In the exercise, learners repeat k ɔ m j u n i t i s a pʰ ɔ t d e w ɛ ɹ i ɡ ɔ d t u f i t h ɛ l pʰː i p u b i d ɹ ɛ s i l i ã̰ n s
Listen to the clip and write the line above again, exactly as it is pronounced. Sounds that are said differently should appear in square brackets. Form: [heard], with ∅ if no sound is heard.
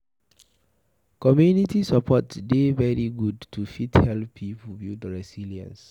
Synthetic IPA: k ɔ m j u n i t i s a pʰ ɔ t d e [v] ɛ ɹ i ɡ [u] d t u f i t h ɛ l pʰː i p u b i d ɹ ɛ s i l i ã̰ n s

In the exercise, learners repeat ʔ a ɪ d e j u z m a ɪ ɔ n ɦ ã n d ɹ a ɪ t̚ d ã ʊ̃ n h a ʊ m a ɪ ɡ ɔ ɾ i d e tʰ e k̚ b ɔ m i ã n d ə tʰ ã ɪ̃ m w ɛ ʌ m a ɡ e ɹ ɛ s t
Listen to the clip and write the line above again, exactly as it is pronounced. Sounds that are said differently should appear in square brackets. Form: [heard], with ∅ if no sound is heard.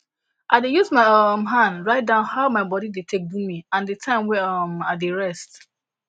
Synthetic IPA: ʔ a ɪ d e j u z m a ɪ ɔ [m] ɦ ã n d ɹ a ɪ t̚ d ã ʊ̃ n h a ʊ m a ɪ [b] ɔ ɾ i d e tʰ e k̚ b [u] m i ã n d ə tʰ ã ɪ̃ m w ɛ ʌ m a [d] e ɹ ɛ s t

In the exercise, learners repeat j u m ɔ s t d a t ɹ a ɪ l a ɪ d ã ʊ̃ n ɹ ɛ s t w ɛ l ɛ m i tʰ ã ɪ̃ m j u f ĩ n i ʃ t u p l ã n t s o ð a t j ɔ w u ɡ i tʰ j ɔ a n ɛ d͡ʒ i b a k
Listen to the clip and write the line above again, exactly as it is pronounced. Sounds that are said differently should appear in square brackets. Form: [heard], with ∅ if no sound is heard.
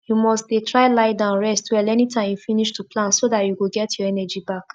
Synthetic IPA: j u m ɔ s t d [e] t ɹ a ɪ l a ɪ d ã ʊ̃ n ɹ ɛ s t w ɛ l ɛ [n] i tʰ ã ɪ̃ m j u f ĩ n i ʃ t u p l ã n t s o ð a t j [u] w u ɡ [ɛ] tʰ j ɔ [ɛ] n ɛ d͡ʒ i b a k

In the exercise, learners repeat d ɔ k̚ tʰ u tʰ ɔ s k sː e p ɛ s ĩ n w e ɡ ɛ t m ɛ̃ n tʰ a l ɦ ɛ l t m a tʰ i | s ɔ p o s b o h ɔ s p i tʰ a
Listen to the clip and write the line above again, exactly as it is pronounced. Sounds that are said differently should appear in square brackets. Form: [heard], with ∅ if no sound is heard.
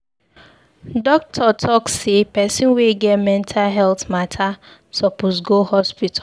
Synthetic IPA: d ɔ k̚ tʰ [ɔ] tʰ ɔ [∅] k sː e p ɛ s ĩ n w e ɡ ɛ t m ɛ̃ n tʰ a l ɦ ɛ l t m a tʰ [a] | s ɔ p o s [ɡ] o h ɔ s p i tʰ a

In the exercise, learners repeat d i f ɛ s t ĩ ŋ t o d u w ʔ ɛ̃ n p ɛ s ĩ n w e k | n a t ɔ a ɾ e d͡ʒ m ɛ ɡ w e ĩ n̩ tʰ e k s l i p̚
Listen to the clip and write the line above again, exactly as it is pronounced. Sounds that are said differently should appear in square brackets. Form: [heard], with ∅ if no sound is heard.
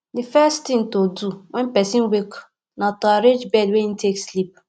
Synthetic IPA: d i f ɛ s t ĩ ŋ t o d u w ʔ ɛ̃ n p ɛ s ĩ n w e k | n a t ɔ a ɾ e d͡ʒ [b] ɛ [d] w e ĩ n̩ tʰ e k s l i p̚

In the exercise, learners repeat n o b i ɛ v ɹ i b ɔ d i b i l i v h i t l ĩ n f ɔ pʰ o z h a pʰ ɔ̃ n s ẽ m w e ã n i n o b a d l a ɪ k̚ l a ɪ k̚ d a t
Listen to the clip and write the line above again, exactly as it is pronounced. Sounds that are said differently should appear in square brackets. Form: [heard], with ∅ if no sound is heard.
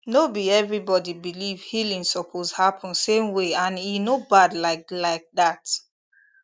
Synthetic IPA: n o b i ɛ v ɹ i b ɔ d i b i l i v h i [∅] l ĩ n [s] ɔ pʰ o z h a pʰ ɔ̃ n s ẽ m w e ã n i n o b a d l a ɪ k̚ l a ɪ k̚ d a t

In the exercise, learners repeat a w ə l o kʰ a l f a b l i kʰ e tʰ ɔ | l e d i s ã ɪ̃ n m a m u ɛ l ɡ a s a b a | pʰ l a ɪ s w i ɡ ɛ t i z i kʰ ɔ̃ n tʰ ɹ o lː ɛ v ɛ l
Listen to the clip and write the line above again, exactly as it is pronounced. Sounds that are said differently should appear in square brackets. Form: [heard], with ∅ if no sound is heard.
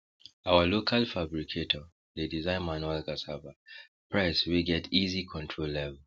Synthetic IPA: a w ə l o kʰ a l f a b [ɹ] i kʰ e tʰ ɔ | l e d i [z] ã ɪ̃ n m a [n] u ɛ l ɡ a s a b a | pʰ [ɹ] a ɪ s w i ɡ ɛ t i z i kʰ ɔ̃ n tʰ ɹ o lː ɛ v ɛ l

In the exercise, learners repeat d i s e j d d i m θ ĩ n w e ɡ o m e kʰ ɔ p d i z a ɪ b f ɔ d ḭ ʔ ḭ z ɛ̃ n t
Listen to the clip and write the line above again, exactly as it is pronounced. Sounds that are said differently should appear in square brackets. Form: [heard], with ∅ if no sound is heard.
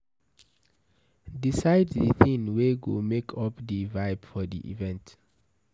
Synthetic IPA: d i s [a] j d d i [∅] θ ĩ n w e ɡ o m e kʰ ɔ p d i [v] a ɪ b f ɔ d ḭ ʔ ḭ [v] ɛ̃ n t

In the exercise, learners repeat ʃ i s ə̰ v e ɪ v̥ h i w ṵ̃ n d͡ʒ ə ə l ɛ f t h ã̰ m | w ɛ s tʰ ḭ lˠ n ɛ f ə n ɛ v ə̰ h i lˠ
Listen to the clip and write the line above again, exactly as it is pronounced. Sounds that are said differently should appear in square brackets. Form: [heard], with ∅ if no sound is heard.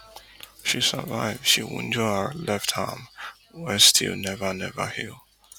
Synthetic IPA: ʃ i s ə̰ v [a] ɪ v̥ [ʃ] i w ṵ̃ n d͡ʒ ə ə l ɛ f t h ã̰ m | w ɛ s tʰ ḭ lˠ n ɛ [v] ə n ɛ v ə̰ h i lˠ

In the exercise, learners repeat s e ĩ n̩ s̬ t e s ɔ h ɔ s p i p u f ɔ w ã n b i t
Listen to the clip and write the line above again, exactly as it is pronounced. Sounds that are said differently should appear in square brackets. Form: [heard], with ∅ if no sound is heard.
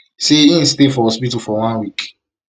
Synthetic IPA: s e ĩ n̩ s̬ t e [f] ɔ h ɔ s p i [t] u f ɔ w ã n [w] i [k]

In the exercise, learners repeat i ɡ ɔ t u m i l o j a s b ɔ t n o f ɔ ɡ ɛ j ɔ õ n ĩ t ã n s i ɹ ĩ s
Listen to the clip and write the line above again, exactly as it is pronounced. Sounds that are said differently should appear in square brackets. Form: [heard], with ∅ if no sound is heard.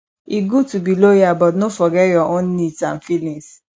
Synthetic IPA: i ɡ [u] t u [b] i l o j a [∅] b ɔ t n o f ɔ ɡ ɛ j ɔ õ n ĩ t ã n [f] i [l] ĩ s

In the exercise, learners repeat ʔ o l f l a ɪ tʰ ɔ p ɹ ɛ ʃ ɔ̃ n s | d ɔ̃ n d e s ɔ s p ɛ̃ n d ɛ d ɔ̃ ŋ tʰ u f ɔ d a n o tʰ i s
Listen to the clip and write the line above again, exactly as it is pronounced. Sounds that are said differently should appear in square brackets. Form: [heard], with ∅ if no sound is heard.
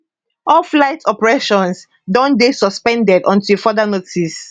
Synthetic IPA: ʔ [ɔ] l f l a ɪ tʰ ɔ p ɹ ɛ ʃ ɔ̃ n s | d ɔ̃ n d e s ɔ s p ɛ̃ n d ɛ d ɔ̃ [n] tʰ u f ɔ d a n o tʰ i s

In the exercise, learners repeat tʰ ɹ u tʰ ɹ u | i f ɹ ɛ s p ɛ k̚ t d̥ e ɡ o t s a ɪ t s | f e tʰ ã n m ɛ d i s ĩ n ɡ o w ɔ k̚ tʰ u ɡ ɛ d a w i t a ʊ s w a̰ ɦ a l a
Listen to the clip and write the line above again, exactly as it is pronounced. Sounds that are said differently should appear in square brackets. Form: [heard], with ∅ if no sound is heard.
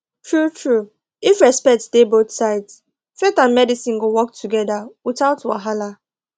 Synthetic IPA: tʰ ɹ u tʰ ɹ u | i f ɹ ɛ s p ɛ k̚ t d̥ e [b] o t s a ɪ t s | f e [t] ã n m ɛ d i s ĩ n ɡ o w ɔ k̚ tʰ u ɡ ɛ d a w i t a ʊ [t] w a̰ ɦ a l a

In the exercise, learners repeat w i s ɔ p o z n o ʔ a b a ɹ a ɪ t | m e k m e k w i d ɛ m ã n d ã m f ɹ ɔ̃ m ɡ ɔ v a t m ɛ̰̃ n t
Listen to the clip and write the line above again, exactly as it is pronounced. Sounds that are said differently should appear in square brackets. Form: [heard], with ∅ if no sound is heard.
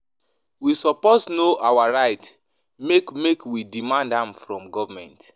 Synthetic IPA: w i s ɔ p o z n o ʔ a [w] a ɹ a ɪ t | m e k m e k w i d [i] m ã n d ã m f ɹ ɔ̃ m ɡ ɔ v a [∅] m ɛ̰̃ n t

